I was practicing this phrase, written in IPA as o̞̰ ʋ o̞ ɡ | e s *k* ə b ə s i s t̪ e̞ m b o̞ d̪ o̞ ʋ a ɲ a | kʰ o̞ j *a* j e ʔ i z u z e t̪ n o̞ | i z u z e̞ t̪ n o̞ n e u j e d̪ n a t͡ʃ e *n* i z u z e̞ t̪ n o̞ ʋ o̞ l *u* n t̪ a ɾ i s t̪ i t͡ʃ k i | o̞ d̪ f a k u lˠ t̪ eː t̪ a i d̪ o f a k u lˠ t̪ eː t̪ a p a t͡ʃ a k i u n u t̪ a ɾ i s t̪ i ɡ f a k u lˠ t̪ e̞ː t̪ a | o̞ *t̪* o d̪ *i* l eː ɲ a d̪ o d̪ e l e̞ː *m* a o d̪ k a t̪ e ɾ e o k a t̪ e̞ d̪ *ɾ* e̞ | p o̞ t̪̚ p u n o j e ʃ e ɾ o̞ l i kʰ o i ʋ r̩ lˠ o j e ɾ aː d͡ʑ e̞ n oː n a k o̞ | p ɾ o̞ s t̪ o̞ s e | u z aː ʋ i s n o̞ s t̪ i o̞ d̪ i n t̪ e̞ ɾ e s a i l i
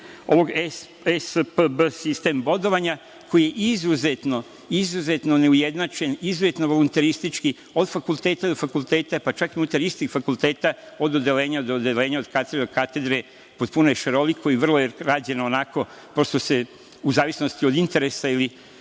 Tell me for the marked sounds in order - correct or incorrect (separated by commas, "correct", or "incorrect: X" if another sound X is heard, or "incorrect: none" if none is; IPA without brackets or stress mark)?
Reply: incorrect: p, incorrect: i, correct, correct, incorrect: d̪, incorrect: e, incorrect: ɲ, correct